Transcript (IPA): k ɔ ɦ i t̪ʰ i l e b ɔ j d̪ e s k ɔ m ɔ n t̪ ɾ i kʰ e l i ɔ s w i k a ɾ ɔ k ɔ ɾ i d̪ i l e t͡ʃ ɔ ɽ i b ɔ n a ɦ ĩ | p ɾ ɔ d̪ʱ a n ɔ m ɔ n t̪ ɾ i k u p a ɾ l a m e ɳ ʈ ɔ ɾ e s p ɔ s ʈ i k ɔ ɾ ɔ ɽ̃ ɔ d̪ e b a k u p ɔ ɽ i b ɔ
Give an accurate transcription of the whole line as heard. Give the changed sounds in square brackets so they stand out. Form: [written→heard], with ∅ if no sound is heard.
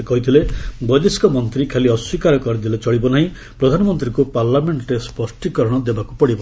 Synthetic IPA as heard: k ɔ ɦ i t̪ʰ i l e b ɔ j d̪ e s k ɔ m ɔ n t̪ ɾ i kʰ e l i ɔ s w i k a ɾ ɔ k ɔ ɾ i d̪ i l e t͡ʃ ɔ ɽ i b ɔ n a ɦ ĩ | p ɾ ɔ d̪ʱ a n ɔ m ɔ n t̪ ɾ i k u p a ɾ l a m e ɳ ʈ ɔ ɾ e s p ɔ s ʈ i k ɔ ɾ ɔ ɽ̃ ɔ d̪ e b a k u p ɔ ɽ i b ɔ